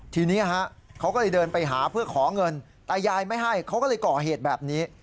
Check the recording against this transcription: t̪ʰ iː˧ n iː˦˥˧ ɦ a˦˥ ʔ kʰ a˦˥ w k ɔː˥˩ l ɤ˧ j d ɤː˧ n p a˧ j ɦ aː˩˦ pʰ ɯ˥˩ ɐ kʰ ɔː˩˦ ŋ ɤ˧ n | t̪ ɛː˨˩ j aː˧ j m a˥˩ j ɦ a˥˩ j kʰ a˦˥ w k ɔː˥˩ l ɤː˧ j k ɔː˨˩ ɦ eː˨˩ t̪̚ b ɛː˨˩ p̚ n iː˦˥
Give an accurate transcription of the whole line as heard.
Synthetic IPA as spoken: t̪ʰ iː˧ n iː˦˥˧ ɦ a˦˥ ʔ kʰ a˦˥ w k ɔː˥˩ l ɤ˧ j d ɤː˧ n p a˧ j ɦ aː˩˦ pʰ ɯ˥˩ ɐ kʰ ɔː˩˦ ŋ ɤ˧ n | t̪ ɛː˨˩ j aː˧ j m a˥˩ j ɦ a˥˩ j kʰ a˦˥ w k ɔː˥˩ l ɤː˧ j k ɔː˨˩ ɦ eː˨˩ t̪̚ b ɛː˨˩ p̚ n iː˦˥